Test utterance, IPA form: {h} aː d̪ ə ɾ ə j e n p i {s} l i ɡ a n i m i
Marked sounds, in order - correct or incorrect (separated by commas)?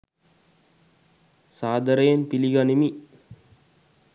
incorrect, incorrect